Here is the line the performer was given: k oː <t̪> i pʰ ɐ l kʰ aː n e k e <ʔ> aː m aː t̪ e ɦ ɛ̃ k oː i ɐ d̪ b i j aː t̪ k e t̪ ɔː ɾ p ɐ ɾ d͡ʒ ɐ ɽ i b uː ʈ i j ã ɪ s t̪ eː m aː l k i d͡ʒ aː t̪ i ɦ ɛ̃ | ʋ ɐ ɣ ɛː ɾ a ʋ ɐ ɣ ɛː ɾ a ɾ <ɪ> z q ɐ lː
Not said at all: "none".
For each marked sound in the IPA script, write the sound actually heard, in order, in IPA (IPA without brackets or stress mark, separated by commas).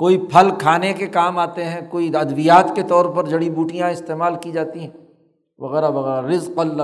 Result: none, k, ɪ